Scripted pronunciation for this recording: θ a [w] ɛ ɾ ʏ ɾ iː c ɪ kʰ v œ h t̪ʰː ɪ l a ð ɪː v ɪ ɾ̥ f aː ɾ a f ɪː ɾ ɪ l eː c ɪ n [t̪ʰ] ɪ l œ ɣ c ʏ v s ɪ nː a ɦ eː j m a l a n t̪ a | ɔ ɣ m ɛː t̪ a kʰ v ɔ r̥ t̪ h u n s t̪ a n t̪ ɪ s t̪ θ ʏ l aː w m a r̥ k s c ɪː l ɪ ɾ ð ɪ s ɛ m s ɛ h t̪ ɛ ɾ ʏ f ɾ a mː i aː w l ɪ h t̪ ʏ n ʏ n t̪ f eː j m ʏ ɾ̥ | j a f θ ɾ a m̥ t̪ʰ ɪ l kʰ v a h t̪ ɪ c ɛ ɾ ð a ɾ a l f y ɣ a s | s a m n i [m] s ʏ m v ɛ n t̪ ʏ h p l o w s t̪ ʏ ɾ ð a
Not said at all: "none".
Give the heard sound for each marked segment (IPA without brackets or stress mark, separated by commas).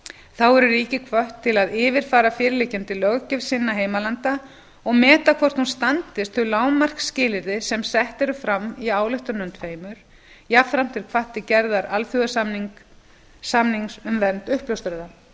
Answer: w, t̪, ŋ